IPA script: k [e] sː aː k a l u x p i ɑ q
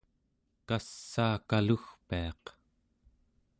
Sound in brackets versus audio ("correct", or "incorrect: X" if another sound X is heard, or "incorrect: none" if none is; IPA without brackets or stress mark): incorrect: a